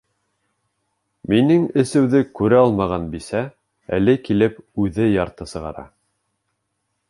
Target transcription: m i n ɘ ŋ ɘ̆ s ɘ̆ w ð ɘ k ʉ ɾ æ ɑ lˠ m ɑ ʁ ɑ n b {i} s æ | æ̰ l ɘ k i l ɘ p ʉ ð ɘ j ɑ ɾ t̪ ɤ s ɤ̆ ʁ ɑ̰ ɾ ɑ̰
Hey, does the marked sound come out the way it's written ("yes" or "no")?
yes